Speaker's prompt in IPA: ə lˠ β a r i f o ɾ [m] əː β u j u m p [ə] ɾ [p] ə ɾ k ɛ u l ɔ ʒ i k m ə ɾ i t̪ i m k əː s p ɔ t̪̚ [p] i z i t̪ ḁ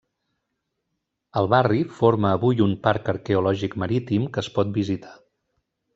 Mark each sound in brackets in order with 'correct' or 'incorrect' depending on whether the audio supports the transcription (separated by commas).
correct, incorrect, incorrect, incorrect